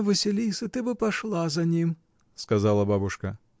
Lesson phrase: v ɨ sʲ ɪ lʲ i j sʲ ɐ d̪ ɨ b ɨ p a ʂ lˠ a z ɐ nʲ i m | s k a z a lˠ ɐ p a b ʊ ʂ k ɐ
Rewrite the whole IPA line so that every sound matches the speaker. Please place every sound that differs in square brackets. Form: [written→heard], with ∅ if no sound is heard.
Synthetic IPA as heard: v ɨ sʲ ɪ lʲ i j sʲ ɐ [d̪→t̪] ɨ b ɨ p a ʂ lˠ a z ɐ nʲ i m | s k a z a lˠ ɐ [p→b] a b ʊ ʂ k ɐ